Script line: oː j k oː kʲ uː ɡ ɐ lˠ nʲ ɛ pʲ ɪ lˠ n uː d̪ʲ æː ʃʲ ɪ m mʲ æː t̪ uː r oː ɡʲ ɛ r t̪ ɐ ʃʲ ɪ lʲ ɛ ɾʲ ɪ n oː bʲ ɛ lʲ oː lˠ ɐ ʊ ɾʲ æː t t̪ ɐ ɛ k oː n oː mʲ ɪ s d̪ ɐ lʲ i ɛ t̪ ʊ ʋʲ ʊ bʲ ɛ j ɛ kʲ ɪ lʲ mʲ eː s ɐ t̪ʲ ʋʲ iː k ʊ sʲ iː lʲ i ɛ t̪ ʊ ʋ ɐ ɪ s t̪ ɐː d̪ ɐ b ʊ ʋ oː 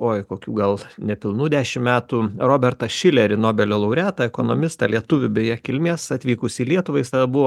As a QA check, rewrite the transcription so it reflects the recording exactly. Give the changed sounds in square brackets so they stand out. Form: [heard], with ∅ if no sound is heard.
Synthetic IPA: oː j k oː kʲ uː ɡ ɐ lˠ nʲ ɛ pʲ ɪ lˠ n uː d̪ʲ æː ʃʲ ɪ m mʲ æː t̪ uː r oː [bʲ] ɛ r t̪ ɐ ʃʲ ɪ lʲ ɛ ɾʲ ɪ n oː bʲ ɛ lʲ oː lˠ ɐ ʊ ɾʲ æː t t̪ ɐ ɛ k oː n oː mʲ ɪ s [t̪] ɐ lʲ i ɛ t̪ ʊ ʋʲ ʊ bʲ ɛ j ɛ kʲ ɪ lʲ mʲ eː s ɐ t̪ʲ ʋʲ iː k ʊ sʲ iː lʲ i ɛ t̪ ʊ ʋ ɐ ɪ s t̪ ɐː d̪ ɐ b ʊ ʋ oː

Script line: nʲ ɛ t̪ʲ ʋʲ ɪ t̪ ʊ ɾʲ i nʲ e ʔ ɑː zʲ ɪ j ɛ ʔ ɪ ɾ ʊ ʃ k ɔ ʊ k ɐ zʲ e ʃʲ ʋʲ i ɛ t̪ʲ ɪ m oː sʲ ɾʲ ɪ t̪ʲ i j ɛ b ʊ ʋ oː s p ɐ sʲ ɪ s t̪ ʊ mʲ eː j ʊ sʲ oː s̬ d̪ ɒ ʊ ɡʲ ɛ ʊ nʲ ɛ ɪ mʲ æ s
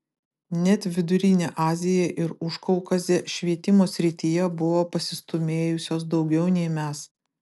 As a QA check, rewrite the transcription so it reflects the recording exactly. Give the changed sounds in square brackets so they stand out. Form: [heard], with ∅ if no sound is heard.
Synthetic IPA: nʲ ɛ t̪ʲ ʋʲ ɪ [d̪] ʊ ɾʲ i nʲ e ʔ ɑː zʲ ɪ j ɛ ʔ ɪ ɾ ʊ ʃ k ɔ ʊ k ɐ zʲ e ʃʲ ʋʲ i ɛ t̪ʲ ɪ m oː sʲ ɾʲ ɪ t̪ʲ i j ɛ b ʊ ʋ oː [∅] p ɐ sʲ ɪ s t̪ ʊ mʲ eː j ʊ sʲ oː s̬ d̪ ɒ ʊ ɡʲ ɛ ʊ nʲ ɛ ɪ mʲ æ s

